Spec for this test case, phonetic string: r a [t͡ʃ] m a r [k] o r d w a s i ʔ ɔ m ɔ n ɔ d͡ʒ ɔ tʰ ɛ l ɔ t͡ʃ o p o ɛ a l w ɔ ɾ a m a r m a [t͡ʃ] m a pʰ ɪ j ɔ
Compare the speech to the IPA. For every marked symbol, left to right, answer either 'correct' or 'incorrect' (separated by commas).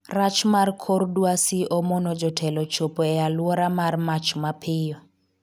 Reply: correct, incorrect, correct